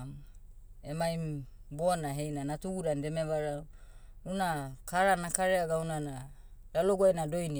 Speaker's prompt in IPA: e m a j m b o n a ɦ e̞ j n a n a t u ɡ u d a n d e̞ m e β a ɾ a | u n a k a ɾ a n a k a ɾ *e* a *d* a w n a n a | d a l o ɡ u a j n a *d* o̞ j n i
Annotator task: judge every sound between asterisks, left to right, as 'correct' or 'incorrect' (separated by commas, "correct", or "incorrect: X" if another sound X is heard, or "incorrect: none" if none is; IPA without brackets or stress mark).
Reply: correct, incorrect: ɡ, correct